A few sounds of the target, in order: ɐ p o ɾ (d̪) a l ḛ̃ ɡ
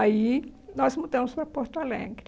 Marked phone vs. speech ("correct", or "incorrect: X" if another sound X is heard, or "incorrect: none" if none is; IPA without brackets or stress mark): incorrect: t̪